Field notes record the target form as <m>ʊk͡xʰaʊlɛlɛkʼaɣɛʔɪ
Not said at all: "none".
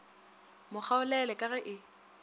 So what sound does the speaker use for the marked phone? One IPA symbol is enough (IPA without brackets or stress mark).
m